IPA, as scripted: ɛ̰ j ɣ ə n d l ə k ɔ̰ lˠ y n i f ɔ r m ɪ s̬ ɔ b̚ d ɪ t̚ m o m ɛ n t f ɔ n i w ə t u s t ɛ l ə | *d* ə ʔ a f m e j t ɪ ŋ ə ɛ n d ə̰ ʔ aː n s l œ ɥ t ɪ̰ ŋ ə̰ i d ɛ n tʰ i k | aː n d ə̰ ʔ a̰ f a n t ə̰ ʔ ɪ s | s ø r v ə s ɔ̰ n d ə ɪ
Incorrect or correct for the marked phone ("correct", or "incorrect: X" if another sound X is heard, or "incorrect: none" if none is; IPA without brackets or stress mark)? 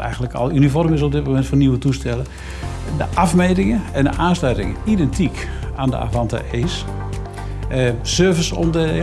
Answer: correct